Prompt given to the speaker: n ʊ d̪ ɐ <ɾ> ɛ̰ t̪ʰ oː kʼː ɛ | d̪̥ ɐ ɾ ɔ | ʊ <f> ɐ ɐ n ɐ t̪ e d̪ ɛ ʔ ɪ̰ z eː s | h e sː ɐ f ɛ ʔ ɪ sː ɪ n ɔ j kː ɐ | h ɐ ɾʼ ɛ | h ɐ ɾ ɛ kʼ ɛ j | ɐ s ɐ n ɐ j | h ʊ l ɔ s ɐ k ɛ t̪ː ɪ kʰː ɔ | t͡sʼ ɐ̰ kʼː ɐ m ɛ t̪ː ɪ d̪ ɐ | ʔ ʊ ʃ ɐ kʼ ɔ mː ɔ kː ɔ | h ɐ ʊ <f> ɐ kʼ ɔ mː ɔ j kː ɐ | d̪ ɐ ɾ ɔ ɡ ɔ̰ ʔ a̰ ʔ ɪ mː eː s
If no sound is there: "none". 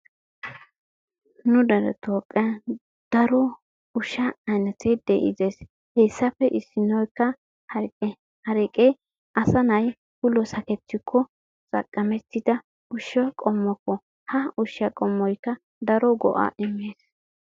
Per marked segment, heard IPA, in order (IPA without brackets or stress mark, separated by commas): ɾ, ʃ, ʃ